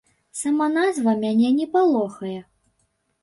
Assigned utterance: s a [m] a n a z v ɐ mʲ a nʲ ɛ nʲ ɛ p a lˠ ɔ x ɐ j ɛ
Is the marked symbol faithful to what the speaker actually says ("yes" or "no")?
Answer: yes